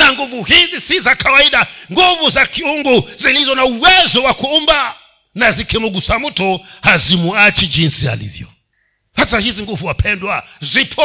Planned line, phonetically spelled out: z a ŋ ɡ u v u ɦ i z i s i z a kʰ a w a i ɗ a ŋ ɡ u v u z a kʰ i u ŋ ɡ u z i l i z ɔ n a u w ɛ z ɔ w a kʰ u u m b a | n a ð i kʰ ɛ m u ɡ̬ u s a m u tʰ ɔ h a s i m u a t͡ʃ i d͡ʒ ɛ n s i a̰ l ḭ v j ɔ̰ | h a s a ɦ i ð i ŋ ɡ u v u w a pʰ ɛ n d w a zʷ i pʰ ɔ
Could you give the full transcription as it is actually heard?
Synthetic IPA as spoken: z a ŋ ɡ u v u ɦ i z i s i z a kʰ a w a i ɗ a ŋ ɡ u v u z a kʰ i u ŋ ɡ u z i l i z ɔ n a u w ɛ z ɔ w a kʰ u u m b a | n a z i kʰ ɛ m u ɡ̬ u s a m u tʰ ɔ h a z i m u a t͡ʃ i d͡ʒ i n s i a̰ l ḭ v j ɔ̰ | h a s a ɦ i z i ŋ ɡ u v u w a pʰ ɛ n d w a zʷ i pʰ ɔ